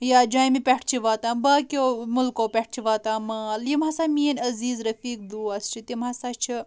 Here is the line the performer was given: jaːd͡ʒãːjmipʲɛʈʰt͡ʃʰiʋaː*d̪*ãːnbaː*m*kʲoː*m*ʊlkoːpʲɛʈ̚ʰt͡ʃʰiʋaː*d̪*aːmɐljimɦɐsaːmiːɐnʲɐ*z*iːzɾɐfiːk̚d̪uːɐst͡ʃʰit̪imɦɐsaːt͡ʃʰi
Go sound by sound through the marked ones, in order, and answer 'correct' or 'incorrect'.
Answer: incorrect, incorrect, correct, incorrect, correct

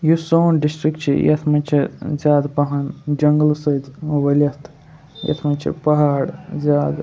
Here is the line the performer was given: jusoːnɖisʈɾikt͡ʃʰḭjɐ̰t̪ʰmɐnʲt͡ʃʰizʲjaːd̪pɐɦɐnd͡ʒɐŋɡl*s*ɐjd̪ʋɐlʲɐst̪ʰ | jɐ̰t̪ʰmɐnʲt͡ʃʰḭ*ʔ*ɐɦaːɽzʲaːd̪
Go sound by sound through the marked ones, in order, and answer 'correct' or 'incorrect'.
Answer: correct, incorrect

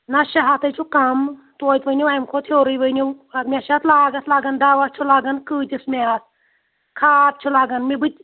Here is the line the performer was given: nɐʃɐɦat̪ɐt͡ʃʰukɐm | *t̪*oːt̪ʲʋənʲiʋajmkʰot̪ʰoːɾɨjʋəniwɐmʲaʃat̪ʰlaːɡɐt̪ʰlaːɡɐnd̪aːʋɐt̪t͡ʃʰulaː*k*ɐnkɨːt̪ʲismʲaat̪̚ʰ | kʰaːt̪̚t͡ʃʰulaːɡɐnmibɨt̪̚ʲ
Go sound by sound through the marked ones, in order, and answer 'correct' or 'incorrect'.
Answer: correct, incorrect

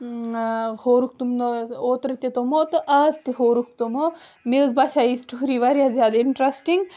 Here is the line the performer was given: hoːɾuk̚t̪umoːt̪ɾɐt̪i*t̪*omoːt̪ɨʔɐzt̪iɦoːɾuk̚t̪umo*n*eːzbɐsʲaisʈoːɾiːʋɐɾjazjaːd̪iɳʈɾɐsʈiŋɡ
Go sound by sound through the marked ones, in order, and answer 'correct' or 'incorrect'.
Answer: correct, incorrect

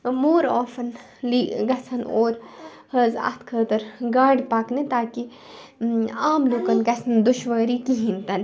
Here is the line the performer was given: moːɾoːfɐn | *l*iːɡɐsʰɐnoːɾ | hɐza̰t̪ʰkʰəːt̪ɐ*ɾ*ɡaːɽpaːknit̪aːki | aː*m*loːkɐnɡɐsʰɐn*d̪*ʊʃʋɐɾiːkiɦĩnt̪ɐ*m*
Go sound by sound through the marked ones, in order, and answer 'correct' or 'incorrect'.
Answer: correct, correct, correct, correct, incorrect

